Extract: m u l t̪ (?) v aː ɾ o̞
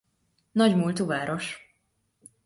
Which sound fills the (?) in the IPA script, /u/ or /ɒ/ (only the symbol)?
u